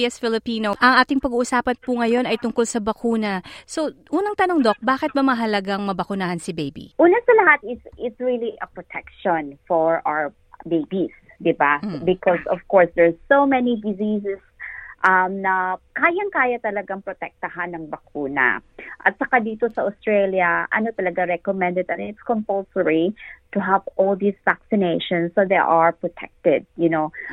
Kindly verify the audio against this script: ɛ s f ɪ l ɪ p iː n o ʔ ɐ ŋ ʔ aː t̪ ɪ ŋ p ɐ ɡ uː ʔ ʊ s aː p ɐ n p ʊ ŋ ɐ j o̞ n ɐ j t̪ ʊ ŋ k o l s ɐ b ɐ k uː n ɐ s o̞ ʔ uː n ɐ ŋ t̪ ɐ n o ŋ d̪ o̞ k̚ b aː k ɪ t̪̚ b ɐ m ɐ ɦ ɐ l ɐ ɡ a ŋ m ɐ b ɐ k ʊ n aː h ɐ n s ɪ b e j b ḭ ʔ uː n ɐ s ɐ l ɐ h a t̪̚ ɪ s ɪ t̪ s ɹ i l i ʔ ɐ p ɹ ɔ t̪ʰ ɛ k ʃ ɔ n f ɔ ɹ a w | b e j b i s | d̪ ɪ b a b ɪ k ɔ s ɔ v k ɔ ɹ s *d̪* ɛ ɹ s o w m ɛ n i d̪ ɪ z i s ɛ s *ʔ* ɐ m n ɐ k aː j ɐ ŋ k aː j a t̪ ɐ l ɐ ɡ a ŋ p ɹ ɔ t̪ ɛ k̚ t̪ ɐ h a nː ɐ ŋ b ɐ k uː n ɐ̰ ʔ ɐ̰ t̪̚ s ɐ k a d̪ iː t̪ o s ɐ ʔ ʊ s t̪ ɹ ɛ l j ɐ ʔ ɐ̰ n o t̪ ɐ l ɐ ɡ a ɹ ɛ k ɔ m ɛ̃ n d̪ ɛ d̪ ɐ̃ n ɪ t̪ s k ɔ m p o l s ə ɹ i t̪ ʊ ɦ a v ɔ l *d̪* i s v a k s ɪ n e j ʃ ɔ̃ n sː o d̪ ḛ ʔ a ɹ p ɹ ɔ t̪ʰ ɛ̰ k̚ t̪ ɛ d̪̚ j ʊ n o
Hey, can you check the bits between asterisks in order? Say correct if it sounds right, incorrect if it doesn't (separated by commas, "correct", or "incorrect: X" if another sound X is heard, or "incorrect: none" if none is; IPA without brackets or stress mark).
correct, correct, correct